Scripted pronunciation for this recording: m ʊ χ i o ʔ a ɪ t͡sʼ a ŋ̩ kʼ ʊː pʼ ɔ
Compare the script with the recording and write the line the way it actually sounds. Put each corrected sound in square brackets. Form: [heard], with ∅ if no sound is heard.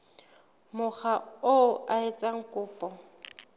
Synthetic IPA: m ʊ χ [a] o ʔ a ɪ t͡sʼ a ŋ̩ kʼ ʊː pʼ ɔ